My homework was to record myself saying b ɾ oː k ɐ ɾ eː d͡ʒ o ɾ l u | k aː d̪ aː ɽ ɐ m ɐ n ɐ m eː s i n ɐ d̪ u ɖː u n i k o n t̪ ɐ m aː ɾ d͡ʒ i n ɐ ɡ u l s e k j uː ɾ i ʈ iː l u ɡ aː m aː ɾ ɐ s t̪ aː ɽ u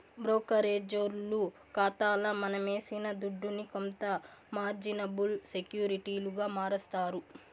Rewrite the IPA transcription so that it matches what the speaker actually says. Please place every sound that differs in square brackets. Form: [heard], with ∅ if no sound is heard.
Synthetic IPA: b ɾ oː k ɐ ɾ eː d͡ʒ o ɾ l u | k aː [t̪] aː [l] ɐ m ɐ n ɐ m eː s i n ɐ d̪ u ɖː u n i k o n t̪ ɐ m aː ɾ d͡ʒ i n ɐ [b] u l s e k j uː ɾ i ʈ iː l u ɡ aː m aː ɾ ɐ s t̪ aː [ɾ] u